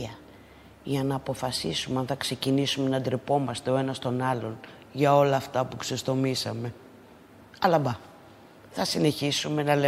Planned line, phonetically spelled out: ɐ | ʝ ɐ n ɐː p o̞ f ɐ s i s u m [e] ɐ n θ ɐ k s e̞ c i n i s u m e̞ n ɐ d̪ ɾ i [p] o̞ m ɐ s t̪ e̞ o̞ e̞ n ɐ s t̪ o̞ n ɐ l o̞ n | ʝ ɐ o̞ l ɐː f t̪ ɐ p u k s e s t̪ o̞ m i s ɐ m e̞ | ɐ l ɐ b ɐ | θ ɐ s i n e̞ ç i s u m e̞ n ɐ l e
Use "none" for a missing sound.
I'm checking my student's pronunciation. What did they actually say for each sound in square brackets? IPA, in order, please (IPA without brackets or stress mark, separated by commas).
e, p